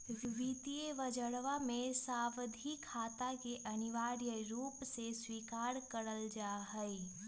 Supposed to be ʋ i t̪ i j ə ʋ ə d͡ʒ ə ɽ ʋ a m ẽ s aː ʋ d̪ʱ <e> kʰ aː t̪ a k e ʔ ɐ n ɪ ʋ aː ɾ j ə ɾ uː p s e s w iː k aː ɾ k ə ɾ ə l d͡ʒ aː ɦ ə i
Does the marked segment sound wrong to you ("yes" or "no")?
yes